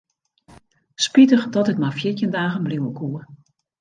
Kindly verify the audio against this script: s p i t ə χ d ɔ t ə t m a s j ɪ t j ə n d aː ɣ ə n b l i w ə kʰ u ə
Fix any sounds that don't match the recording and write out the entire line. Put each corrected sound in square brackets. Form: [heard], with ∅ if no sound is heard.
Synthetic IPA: s p i t ə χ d ɔ t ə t m a [f] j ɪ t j ə n d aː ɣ ə n b l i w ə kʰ u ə